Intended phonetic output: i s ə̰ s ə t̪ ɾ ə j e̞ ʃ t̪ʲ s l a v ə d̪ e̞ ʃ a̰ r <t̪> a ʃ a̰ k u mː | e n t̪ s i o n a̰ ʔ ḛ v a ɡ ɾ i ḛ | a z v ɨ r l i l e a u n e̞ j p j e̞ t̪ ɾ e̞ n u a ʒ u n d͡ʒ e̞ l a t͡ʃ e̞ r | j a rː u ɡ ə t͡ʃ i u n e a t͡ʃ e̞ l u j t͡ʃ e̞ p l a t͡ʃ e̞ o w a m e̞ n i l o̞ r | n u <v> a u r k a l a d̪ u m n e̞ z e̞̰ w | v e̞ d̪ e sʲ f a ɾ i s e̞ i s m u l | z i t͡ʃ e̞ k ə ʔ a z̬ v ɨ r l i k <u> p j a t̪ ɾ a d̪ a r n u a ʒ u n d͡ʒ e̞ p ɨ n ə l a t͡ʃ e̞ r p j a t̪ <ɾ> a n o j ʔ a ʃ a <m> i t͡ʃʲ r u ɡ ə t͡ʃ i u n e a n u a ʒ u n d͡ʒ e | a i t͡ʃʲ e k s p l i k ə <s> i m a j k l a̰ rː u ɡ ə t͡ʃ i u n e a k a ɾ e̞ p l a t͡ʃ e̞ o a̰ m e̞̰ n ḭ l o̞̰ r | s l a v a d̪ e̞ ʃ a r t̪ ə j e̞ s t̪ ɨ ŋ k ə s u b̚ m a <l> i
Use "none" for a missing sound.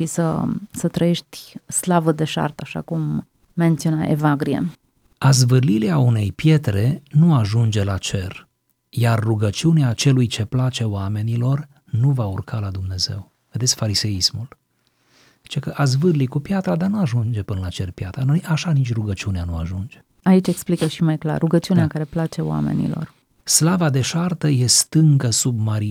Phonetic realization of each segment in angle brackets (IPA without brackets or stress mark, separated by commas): t̪, v, u, ɾ, n, ʃ, ɾ